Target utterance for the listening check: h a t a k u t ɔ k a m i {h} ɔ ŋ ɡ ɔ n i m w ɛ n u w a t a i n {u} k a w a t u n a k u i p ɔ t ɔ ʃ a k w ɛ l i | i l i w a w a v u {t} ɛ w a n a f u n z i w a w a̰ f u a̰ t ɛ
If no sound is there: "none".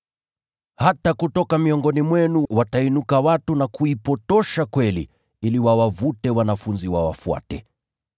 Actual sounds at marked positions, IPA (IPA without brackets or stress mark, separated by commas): none, u, t